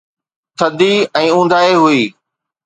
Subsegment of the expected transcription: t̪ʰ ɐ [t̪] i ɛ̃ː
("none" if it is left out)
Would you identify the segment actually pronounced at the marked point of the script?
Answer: d̪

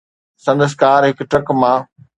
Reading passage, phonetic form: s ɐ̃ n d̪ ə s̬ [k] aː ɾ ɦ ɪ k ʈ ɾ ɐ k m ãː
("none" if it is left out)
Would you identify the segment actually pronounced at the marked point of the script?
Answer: k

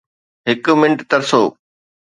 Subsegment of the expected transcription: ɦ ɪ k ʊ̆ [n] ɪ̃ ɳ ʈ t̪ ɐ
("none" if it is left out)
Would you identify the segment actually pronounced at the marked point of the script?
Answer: m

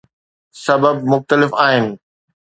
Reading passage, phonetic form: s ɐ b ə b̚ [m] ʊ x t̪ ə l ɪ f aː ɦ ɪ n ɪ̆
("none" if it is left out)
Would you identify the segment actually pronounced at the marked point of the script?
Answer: m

